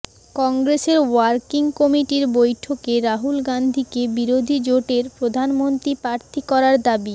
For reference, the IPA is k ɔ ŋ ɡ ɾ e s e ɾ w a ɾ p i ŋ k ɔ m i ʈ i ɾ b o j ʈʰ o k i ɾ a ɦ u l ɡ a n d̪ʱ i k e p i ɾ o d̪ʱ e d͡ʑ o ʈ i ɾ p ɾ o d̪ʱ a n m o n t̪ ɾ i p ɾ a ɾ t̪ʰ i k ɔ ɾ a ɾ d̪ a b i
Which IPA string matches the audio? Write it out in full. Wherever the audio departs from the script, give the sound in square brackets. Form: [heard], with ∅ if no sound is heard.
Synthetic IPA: k ɔ ŋ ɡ ɾ e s e ɾ w a ɾ [k] i ŋ k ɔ m i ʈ i ɾ b o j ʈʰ o k [e] ɾ a ɦ u l ɡ a n d̪ʱ i k e [b] i ɾ o d̪ʱ [i] d͡ʑ o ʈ [e] ɾ p ɾ o d̪ʱ a n m o n t̪ ɾ i p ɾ a ɾ t̪ʰ i k ɔ ɾ a ɾ d̪ a b i